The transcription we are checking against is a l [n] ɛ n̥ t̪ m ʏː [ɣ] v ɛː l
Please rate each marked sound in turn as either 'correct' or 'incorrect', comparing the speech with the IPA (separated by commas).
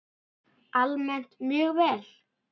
incorrect, correct